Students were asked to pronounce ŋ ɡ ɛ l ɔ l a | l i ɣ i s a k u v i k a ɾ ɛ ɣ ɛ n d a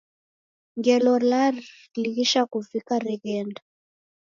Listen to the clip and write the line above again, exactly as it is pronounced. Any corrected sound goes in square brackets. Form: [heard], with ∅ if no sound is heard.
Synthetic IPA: ŋ ɡ ɛ l ɔ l a | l i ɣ i [ʃ] a k u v i k a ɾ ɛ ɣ ɛ n d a

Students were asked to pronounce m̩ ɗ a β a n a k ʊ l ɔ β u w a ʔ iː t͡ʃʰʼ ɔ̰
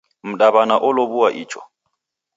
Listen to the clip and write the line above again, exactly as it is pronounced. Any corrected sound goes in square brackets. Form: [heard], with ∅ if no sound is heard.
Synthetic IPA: m̩ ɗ a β a n a [ʔ] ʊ l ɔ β u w a ʔ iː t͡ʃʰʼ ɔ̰

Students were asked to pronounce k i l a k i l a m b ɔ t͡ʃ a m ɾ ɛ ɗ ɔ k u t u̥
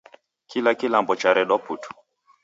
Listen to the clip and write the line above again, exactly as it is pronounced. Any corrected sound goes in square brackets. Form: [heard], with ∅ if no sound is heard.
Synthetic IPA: k i l a k i l a m b ɔ t͡ʃ a [∅] ɾ ɛ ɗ ɔ [p] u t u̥

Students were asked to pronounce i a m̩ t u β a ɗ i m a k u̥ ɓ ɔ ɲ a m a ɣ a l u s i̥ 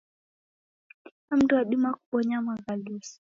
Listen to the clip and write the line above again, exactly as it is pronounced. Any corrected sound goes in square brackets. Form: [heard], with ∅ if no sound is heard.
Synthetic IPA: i a m̩ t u [w] a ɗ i m a k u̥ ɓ ɔ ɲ a m a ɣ a l u s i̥

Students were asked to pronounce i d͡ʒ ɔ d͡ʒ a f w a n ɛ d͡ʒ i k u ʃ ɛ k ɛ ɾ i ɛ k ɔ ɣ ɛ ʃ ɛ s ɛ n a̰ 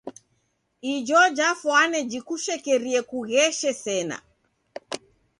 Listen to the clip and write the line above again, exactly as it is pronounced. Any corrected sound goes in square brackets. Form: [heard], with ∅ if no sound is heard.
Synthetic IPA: i d͡ʒ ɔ d͡ʒ a f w a n ɛ d͡ʒ i k u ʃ ɛ k ɛ ɾ i ɛ k [u] ɣ ɛ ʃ ɛ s ɛ n a̰

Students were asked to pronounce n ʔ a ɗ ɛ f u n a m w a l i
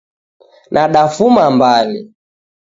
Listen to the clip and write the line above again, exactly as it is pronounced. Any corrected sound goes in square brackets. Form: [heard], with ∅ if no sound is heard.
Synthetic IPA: n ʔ a ɗ [a] f u [m] a m [b] a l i

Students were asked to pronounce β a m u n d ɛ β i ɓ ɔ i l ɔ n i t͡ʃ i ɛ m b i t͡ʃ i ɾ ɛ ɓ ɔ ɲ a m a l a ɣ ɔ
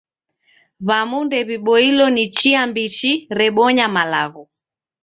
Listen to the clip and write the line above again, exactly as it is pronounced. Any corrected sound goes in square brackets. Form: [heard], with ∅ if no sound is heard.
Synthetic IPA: β a m u n d ɛ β i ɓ ɔ i l ɔ n i t͡ʃ i [a] m b i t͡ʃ i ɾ ɛ ɓ ɔ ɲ a m a l a ɣ ɔ

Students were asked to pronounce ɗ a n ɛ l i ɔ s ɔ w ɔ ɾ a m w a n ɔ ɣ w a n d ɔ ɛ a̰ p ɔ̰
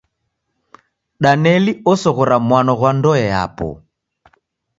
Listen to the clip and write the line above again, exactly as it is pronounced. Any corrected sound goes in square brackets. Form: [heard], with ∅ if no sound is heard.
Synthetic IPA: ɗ a n ɛ l i ɔ s ɔ [ɣ] ɔ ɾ a m w a n ɔ ɣ w a n d ɔ ɛ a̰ p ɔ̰

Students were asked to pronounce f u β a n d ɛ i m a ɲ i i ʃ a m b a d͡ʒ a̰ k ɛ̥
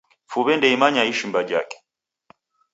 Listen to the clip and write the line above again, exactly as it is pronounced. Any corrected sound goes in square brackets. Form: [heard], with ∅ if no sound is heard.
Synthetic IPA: f u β [ɛ] n d ɛ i m a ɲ [a] i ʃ [i] m b a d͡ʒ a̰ k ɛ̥

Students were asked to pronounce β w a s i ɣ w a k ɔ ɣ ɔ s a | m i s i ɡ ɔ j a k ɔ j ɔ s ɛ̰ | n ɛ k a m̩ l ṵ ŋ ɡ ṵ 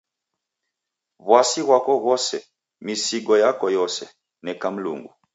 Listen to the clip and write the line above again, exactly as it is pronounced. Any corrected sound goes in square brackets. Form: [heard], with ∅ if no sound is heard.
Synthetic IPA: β w a s i ɣ w a k ɔ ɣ ɔ s [ɛ] | m i s i ɡ ɔ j a k ɔ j ɔ s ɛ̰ | n ɛ k a m̩ l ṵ ŋ ɡ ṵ

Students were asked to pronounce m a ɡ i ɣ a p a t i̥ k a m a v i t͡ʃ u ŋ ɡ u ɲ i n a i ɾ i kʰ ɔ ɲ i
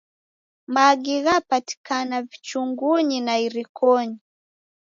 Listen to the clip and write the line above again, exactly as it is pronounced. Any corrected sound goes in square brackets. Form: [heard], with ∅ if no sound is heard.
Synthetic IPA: m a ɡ i ɣ a p a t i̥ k a [n] a v i t͡ʃ u ŋ ɡ u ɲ i n a i ɾ i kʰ ɔ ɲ i

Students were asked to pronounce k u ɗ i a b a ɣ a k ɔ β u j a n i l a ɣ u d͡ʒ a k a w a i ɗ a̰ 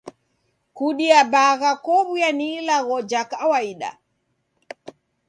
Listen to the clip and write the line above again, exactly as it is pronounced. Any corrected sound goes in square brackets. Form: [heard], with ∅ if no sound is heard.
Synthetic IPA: k u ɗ i a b a ɣ a k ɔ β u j a n i l a ɣ [ɔ] d͡ʒ a k a w a i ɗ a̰

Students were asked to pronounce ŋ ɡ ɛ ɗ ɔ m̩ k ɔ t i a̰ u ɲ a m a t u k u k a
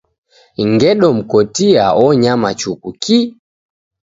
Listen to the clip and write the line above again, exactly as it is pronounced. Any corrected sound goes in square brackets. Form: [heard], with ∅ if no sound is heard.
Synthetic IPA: ŋ ɡ ɛ ɗ ɔ m̩ k ɔ t i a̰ [ɔ] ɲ a m a [t͡ʃ] u k u k [i]

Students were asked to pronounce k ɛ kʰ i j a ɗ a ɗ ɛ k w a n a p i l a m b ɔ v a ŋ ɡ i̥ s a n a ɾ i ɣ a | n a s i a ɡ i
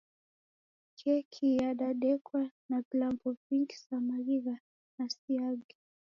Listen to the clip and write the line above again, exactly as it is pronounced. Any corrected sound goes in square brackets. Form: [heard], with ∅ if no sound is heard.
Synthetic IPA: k ɛ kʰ i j a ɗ a ɗ ɛ k w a n a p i l a m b ɔ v [i] ŋ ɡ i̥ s a [m] a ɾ i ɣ a | n a s i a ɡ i

